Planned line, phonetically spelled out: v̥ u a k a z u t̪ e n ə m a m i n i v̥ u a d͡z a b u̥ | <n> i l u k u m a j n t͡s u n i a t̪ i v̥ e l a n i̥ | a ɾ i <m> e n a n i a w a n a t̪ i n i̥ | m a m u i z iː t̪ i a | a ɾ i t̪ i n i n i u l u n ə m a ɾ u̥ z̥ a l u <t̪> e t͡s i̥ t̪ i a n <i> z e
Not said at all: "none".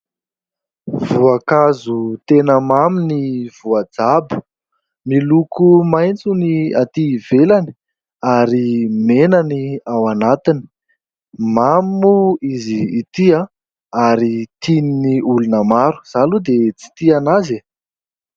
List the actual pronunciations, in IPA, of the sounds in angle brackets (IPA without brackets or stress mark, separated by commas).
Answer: m, m, d̪, a